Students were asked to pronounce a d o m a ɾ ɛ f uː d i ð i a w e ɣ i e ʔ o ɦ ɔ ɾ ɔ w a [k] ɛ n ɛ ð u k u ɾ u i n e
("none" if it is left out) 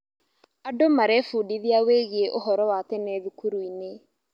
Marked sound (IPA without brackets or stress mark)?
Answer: t